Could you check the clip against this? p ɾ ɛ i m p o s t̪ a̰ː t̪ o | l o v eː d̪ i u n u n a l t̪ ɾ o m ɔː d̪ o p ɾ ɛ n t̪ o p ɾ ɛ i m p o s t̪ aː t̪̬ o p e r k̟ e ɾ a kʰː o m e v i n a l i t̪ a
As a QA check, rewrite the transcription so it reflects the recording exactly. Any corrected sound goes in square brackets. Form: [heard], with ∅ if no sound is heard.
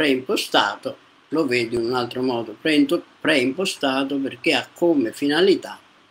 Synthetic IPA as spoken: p ɾ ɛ i m p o s t̪ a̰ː t̪ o | l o v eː d̪ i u n u n a l t̪ ɾ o m ɔː d̪ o p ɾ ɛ n t̪ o p ɾ ɛ i m p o s t̪ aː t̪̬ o p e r k̟ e [∅] a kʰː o m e [f] i n a l i t̪ a